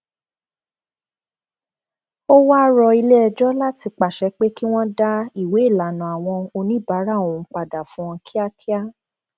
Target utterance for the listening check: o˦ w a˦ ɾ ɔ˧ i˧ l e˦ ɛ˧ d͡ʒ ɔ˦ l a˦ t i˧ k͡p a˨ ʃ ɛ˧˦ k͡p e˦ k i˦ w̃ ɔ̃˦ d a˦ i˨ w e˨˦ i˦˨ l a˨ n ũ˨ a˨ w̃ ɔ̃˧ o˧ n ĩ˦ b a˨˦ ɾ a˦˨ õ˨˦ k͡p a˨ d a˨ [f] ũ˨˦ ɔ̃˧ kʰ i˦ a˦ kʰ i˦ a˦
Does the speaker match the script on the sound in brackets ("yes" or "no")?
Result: yes